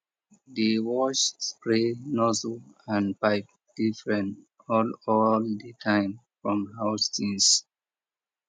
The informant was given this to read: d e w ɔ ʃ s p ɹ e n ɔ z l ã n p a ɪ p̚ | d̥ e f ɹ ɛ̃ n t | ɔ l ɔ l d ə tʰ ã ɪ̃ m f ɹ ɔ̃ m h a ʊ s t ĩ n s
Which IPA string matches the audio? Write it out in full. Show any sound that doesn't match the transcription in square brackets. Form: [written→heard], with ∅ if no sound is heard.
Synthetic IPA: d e w ɔ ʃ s p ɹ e n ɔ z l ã n p a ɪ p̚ | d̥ [e→i] f ɹ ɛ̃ n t | ɔ l ɔ l d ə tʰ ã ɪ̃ m f ɹ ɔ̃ m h a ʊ s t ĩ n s